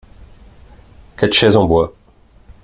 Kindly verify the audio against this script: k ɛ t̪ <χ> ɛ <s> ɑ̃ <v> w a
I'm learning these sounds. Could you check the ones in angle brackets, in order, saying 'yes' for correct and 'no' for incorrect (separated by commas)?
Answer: no, no, no